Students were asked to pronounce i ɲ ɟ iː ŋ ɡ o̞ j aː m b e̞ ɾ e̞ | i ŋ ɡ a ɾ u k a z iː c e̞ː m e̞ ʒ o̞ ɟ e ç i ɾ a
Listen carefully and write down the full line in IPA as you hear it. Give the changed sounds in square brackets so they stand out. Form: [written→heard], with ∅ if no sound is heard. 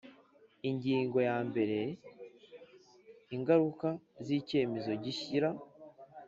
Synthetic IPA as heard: i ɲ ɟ iː ŋ ɡ o̞ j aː m b e̞ ɾ e̞ | i ŋ ɡ a ɾ u k a z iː c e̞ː m e̞ [ʒ→z] o̞ ɟ [e→i] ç i ɾ a